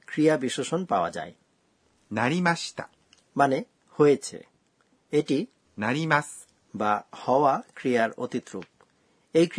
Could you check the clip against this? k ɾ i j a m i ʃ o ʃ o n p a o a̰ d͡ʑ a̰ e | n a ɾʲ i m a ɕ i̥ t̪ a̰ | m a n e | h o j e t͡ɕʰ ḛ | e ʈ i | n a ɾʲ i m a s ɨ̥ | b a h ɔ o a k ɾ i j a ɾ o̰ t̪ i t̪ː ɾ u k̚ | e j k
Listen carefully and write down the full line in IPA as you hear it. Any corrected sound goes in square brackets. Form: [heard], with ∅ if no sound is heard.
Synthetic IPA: k ɾ i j a [b] i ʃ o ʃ o n p a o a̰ d͡ʑ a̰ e | n a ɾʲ i m a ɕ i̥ t̪ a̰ | m a n e | h o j e t͡ɕʰ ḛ | e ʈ i | n a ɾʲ i m a s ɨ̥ | b a h ɔ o a k ɾ i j a ɾ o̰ t̪ i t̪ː ɾ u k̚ | e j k